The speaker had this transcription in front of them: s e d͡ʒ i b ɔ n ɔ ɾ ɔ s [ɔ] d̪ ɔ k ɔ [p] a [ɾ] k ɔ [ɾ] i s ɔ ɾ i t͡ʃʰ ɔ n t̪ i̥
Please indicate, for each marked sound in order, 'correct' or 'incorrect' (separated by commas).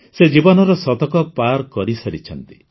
correct, correct, correct, correct